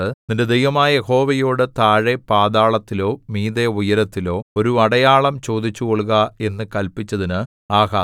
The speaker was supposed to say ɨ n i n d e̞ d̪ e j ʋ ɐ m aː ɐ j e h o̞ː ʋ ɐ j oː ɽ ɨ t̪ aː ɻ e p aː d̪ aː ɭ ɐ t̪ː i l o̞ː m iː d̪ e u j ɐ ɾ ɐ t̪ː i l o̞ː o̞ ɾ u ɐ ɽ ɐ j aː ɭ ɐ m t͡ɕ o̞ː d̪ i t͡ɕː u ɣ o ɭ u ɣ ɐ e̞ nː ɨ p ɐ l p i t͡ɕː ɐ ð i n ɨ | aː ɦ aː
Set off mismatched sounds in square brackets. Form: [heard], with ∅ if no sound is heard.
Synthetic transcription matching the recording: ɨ n i n d e̞ d̪ e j ʋ ɐ m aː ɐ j e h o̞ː ʋ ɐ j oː ɽ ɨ t̪ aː ɻ e p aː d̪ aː ɭ ɐ t̪ː i l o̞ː m iː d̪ e u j ɐ ɾ ɐ t̪ː i l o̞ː o̞ ɾ u ɐ ɽ ɐ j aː ɭ ɐ m t͡ɕ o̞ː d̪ i t͡ɕː u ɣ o ɭ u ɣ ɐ e̞ nː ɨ [k] ɐ l p i t͡ɕː ɐ ð i n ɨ | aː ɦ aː